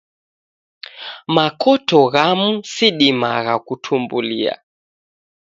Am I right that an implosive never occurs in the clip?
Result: no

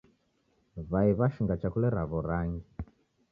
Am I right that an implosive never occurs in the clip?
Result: yes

